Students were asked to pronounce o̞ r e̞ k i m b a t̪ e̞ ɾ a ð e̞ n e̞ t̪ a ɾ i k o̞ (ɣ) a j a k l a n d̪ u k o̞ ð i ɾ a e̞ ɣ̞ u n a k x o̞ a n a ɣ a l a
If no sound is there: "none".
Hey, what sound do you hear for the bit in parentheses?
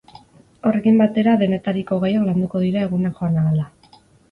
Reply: ɣ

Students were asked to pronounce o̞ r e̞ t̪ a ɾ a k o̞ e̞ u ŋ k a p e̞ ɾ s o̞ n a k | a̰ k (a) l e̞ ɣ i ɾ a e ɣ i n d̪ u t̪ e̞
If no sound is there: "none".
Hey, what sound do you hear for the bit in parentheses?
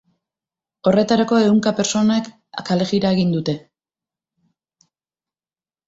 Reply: a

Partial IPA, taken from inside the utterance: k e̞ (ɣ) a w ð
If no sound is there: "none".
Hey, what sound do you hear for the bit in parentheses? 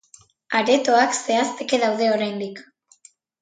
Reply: ð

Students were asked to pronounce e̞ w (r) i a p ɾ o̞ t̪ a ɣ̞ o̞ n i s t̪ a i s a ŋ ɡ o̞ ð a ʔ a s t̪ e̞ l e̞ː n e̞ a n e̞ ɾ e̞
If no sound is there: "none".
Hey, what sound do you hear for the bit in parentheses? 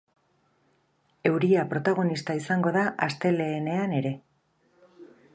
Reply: ɾ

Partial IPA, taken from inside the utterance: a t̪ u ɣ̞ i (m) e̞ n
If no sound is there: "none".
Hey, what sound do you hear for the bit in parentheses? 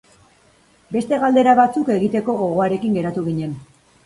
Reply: ɲ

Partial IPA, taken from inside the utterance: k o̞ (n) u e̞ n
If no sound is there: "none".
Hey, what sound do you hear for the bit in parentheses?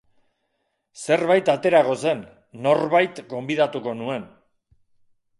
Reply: n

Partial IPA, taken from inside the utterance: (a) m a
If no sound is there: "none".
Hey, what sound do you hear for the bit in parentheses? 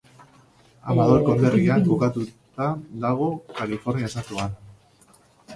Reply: a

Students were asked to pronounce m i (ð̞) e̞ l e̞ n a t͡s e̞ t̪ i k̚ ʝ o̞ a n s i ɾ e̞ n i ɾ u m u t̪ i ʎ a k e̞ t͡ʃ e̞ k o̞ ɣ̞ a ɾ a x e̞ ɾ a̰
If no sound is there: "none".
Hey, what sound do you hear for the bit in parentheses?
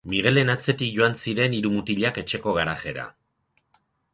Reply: ɣ̞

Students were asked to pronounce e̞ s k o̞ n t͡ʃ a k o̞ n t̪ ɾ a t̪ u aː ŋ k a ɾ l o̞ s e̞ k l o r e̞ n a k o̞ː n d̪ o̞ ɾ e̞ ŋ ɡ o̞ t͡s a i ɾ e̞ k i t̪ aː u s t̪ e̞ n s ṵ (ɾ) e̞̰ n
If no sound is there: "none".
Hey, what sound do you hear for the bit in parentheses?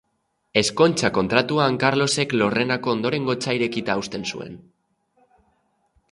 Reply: none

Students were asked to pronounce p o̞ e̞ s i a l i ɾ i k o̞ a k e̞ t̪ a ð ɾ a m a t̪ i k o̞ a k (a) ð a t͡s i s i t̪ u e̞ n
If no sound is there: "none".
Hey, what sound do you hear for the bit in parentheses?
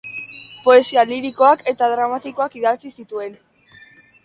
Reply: i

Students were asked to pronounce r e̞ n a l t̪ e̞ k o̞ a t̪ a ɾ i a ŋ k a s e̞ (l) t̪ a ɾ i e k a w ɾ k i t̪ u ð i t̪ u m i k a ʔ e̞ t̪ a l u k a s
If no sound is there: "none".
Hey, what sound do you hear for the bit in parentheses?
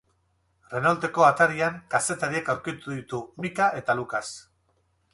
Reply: none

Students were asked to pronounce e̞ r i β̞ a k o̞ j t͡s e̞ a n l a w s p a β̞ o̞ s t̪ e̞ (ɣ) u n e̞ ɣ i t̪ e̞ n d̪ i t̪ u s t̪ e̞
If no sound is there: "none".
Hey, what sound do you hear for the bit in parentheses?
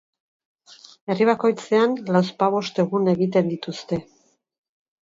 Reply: ɣ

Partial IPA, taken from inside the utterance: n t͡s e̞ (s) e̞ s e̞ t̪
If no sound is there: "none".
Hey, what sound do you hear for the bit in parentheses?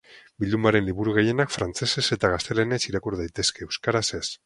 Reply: s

